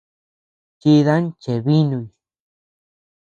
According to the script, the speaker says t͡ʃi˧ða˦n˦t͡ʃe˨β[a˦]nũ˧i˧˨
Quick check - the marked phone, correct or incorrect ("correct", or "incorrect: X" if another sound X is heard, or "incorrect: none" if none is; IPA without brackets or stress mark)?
incorrect: i˦